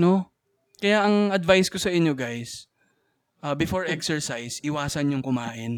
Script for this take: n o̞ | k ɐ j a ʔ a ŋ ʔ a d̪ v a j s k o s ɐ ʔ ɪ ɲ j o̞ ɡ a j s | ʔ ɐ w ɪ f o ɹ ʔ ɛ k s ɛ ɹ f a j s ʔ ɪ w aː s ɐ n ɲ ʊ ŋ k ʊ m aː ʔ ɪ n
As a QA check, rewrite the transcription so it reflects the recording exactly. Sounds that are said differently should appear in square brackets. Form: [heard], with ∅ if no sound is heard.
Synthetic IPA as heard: n o̞ | k ɐ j a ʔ [ɐ] ŋ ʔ [ɐ] d̪ v a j s k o s ɐ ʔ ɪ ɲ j o̞ ɡ a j s | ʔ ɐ [b] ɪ f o ɹ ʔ ɛ k s ɛ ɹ [s] a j s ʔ ɪ w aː s ɐ n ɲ ʊ ŋ k ʊ m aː ʔ ɪ n